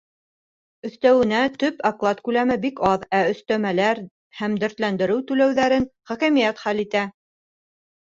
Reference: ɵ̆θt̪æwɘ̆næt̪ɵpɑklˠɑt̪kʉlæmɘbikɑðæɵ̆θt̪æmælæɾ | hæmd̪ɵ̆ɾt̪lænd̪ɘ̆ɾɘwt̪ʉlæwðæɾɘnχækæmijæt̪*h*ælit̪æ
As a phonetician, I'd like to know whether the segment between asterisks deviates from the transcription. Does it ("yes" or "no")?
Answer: yes